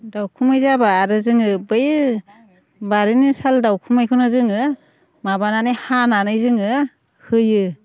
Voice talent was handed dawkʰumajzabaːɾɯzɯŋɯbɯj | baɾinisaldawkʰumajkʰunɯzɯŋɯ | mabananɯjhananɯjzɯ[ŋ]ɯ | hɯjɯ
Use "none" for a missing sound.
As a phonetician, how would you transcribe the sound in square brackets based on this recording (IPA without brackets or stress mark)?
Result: ŋ